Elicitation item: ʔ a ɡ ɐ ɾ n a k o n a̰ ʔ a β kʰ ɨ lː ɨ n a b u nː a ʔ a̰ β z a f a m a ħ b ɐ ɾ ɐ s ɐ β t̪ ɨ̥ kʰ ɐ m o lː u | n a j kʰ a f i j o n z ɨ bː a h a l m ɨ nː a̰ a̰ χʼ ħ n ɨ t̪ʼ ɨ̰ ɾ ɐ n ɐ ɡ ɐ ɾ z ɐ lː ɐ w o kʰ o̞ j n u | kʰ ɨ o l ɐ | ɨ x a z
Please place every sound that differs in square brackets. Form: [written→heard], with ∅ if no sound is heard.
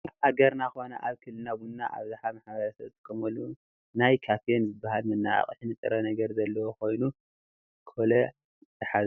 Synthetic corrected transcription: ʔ a ɡ ɐ ɾ n a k o n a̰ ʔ a β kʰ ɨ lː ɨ n a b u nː a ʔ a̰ β z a [f→ħ] a m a ħ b ɐ ɾ ɐ s ɐ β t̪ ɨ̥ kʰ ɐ m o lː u | n a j kʰ a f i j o n z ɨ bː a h a l m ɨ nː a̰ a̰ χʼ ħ n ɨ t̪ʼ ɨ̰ ɾ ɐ n ɐ ɡ ɐ ɾ z ɐ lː ɐ w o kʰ o̞ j n u | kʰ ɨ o l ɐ | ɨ [x→ħ] a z